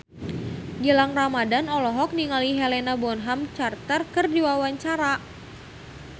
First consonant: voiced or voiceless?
voiced